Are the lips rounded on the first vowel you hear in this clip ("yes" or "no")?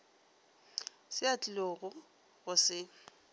no